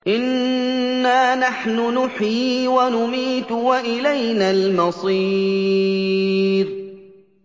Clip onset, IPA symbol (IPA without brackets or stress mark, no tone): ʔ